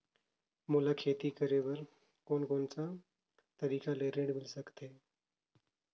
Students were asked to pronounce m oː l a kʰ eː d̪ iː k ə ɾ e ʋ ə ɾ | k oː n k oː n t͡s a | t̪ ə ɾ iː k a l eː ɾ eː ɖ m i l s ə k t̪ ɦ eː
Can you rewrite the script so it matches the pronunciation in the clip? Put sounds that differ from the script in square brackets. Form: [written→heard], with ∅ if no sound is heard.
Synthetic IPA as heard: m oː l a kʰ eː [d̪→t̪] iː k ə ɾ e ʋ ə ɾ | k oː n k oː n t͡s a | t̪ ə ɾ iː k a l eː ɾ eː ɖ m [i→ɪ] l s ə k t̪ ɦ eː